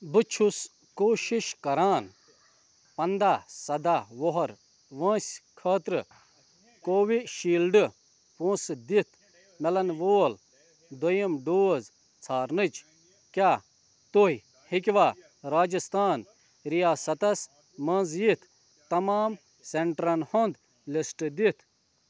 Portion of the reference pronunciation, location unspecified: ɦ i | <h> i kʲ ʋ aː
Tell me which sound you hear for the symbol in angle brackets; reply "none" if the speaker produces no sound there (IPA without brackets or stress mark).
h